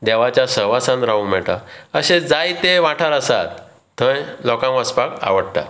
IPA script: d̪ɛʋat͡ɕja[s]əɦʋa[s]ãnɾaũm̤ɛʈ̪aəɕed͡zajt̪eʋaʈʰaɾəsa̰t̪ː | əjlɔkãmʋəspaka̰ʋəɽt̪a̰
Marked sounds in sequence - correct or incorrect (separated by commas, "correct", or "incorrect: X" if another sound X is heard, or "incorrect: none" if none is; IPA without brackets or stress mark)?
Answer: correct, correct